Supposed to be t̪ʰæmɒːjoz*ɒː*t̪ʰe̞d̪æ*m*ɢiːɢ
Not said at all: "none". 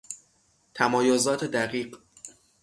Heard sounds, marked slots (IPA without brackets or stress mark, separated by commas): ɒː, none